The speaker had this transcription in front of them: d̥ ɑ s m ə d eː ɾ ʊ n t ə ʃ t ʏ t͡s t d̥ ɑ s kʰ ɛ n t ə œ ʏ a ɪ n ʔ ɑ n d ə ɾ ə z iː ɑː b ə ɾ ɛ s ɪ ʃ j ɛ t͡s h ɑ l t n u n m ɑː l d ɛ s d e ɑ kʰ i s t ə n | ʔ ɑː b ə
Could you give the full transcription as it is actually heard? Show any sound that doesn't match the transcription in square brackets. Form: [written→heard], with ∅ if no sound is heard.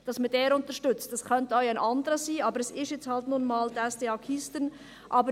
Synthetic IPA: d̥ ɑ s m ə d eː ɾ ʊ n t ə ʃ t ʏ t͡s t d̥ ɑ s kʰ [ɛ→œ] n t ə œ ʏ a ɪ n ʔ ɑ n d ə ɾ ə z iː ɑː b ə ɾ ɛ s ɪ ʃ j ɛ t͡s h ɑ l t n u n m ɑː l d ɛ s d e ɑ kʰ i s t ə n | ʔ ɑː b ə